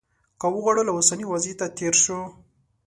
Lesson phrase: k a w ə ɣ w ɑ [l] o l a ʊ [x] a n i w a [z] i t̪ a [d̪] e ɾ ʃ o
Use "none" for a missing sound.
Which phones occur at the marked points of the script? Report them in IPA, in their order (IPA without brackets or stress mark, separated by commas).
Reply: ɽ, s, z, t̪